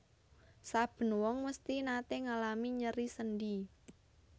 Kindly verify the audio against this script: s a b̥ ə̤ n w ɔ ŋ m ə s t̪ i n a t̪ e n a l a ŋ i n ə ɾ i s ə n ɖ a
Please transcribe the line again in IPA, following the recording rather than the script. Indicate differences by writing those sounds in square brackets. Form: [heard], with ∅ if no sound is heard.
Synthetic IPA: s a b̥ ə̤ n w ɔ ŋ m ə s t̪ i n a t̪ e [ŋ] a l a [m] i [ɲ] ə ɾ i s ə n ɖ [i]